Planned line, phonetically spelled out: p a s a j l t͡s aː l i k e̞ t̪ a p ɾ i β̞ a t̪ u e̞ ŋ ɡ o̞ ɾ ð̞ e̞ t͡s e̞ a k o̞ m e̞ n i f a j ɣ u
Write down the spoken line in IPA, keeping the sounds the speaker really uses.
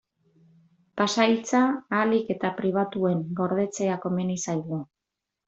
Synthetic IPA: p a s a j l t͡s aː l i k e̞ t̪ a p ɾ i β̞ a t̪ u e̞ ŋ ɡ o̞ ɾ ð̞ e̞ t͡s e̞ a k o̞ m e̞ n i s a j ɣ u